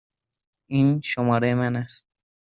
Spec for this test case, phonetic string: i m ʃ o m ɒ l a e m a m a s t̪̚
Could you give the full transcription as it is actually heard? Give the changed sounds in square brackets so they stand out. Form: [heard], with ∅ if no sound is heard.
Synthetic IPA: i [n] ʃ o m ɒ [ɾ] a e m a [n] a s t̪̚